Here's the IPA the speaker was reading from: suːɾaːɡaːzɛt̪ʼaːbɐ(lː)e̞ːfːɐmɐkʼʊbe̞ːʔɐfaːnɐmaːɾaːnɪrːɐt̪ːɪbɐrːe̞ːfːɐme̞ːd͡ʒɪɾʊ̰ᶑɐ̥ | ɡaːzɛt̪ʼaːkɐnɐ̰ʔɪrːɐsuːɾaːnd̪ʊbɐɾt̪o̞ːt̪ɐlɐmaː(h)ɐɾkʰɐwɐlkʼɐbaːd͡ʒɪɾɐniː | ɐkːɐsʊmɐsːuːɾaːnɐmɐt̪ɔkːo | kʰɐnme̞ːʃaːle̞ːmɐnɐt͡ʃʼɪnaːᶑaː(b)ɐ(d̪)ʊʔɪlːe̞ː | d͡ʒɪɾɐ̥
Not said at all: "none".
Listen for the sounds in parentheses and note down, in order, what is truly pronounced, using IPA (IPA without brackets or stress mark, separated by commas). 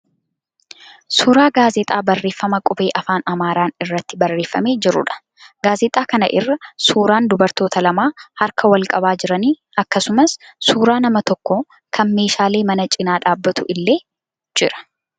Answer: rː, h, bː, t̪